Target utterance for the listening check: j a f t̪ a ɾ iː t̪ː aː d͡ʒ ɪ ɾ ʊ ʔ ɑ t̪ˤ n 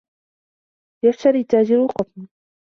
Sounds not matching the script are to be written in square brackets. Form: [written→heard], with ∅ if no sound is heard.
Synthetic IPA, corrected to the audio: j a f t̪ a ɾ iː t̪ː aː d͡ʒ ɪ ɾ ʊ [ʔ→q] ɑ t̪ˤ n